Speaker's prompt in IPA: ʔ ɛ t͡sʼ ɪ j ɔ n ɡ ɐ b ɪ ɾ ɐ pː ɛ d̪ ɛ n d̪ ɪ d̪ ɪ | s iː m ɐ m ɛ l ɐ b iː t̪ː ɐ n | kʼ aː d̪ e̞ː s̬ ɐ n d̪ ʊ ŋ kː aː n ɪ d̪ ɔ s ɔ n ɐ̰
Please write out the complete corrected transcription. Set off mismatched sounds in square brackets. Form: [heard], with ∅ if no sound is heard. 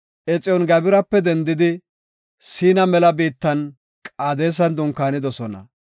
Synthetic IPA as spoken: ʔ ɛ t͡sʼ ɪ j ɔ n ɡ ɐ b ɪ ɾ ɐ pː ɛ d̪ ɛ n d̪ ɪ d̪ ɪ | s iː [n] ɐ m ɛ l ɐ b iː t̪ː ɐ n | kʼ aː d̪ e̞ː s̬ ɐ n d̪ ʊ ŋ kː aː n ɪ d̪ ɔ s ɔ n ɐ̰

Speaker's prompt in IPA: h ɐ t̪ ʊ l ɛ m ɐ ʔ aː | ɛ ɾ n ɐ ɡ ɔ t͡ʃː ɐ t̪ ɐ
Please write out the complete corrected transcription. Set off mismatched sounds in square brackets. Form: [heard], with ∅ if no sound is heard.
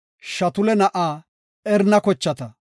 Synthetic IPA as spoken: [ʃ] ɐ t̪ ʊ l ɛ [n] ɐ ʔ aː | ɛ ɾ n ɐ [k] ɔ t͡ʃː ɐ t̪ ɐ

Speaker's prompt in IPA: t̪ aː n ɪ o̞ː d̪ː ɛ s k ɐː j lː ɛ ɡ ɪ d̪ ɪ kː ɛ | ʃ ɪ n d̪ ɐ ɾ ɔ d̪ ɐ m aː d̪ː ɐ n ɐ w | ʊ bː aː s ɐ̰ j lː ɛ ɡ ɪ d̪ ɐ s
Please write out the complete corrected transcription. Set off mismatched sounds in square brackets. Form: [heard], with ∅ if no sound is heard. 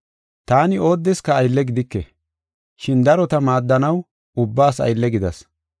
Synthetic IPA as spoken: t̪ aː n ɪ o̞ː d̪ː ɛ s k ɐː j lː ɛ ɡ ɪ d̪ ɪ kː ɛ | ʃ ɪ n d̪ ɐ ɾ ɔ [t̪] ɐ m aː d̪ː ɐ n ɐ w | ʊ bː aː s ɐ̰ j lː ɛ ɡ ɪ d̪ ɐ s

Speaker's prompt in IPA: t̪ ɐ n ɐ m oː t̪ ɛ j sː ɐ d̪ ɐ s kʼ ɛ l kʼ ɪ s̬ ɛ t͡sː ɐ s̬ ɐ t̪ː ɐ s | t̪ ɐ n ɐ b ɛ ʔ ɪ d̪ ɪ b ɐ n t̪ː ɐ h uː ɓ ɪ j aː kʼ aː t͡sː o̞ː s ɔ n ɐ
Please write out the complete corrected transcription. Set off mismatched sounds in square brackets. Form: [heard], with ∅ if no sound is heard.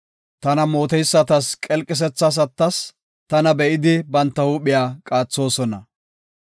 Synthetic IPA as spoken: t̪ ɐ n ɐ m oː t̪ ɛ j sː ɐ [t̪] ɐ s kʼ ɛ l kʼ ɪ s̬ ɛ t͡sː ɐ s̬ ɐ t̪ː ɐ s | t̪ ɐ n ɐ b ɛ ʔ ɪ d̪ ɪ b ɐ n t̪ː ɐ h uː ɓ ɪ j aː kʼ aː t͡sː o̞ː s ɔ n ɐ

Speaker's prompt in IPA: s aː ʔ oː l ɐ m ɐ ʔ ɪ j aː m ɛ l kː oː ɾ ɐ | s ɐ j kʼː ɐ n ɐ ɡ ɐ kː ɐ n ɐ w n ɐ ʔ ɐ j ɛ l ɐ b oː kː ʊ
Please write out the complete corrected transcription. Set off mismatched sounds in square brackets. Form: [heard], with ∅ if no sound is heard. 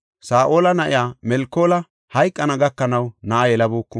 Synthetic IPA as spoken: s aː ʔ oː l ɐ [n] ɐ ʔ ɪ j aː m ɛ l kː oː [l] ɐ | [h] ɐ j kʼː ɐ n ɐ ɡ ɐ kː ɐ n ɐ w n ɐ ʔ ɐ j ɛ l ɐ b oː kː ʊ

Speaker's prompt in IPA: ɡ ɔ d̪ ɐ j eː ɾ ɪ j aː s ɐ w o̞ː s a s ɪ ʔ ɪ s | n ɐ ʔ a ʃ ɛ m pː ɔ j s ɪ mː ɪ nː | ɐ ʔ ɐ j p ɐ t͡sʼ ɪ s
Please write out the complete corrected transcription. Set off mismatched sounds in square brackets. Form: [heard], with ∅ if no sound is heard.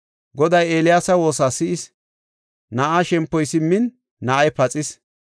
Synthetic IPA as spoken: ɡ ɔ d̪ ɐ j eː [l] ɪ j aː s ɐ w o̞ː s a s ɪ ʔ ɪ s | n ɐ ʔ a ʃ ɛ m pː ɔ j s ɪ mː ɪ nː | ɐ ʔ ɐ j p ɐ t͡sʼ ɪ s

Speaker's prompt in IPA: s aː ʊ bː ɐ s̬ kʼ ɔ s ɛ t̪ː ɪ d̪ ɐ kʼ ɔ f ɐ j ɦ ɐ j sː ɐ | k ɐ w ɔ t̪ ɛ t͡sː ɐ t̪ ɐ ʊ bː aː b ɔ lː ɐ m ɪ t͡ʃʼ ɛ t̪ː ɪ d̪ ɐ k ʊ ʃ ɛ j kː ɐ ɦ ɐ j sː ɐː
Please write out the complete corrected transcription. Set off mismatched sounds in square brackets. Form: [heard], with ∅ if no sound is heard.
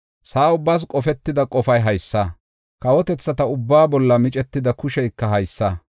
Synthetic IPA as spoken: s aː ʊ bː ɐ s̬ kʼ ɔ [f] ɛ t̪ː ɪ d̪ ɐ kʼ ɔ f ɐ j ɦ ɐ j sː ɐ | k ɐ w ɔ t̪ ɛ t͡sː ɐ t̪ ɐ ʊ bː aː b ɔ lː ɐ m ɪ t͡ʃʼ ɛ t̪ː ɪ d̪ ɐ k ʊ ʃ ɛ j kː ɐ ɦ ɐ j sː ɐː

